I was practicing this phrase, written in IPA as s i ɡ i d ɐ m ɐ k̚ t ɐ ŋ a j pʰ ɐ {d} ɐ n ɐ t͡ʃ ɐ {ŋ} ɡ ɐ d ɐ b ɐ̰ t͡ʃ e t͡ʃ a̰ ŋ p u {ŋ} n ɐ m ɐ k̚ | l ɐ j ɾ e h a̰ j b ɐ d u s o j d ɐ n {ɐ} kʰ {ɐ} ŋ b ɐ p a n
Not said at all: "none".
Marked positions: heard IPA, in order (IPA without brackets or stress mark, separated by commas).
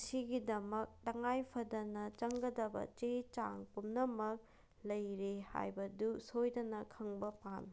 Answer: d, ŋ, m, ɐ, ɐ